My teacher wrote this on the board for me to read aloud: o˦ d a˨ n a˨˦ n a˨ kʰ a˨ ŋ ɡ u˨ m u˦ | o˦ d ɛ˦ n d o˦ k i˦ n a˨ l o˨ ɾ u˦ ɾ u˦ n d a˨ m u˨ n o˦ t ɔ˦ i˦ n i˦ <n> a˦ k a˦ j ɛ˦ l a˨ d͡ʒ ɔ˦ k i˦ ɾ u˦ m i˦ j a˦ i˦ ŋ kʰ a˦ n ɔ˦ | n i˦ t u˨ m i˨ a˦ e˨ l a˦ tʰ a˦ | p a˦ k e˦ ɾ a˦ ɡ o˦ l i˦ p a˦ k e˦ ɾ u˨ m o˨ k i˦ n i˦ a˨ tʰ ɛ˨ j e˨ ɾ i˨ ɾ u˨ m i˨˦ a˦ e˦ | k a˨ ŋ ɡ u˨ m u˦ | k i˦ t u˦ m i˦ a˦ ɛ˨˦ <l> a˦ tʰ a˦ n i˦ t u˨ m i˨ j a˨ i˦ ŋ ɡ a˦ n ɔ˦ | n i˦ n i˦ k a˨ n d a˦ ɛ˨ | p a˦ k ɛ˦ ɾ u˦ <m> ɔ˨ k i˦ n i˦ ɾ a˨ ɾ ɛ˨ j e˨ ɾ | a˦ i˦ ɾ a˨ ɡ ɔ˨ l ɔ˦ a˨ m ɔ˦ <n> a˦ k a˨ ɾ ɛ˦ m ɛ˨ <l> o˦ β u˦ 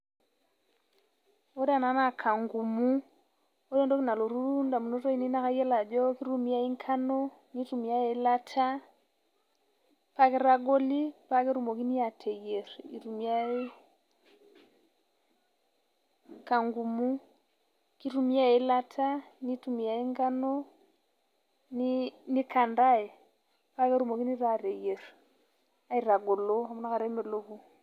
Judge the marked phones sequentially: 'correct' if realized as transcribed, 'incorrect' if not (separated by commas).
correct, correct, correct, correct, correct